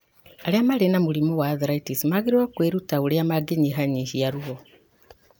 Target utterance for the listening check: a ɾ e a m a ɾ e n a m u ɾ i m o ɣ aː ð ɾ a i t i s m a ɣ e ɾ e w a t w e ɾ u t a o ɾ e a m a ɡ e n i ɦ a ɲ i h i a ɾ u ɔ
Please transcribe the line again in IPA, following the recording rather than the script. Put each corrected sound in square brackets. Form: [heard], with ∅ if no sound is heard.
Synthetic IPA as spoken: a ɾ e a m a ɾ e n a m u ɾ i m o [w] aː ð ɾ a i t i s m a ɣ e ɾ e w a [k] w e ɾ u t a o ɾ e a m a ɡ e [ɲ] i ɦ a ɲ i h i a ɾ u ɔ